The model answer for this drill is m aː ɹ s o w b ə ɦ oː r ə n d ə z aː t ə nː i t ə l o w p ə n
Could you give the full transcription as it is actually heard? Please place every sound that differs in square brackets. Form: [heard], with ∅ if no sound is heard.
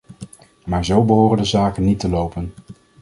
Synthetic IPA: m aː ɹ [z] o w b ə ɦ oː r ə n d ə z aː [k] ə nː i t ə l o w p ə n